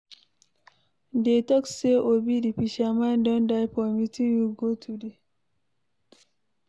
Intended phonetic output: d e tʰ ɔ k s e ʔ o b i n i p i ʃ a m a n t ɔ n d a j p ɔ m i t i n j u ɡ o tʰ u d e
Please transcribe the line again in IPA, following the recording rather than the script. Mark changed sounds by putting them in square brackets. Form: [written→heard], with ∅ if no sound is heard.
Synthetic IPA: d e [tʰ→t] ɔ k s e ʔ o b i [n→d] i p i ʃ a m a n [t→d] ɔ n d a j p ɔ m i t i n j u ɡ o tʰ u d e